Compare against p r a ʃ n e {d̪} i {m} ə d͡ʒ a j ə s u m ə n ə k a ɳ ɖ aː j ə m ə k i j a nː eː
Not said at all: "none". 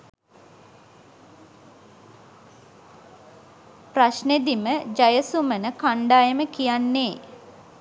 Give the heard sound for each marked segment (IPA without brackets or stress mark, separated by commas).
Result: d̪, m